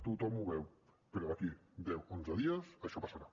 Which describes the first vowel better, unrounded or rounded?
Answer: rounded